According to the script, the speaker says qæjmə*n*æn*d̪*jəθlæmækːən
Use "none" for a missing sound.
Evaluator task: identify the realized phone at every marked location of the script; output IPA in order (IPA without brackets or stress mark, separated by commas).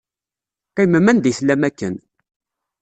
m, d̪